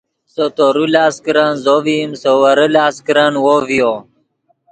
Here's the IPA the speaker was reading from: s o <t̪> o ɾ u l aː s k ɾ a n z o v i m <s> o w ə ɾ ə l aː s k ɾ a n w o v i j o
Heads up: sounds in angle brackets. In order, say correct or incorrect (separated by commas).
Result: correct, correct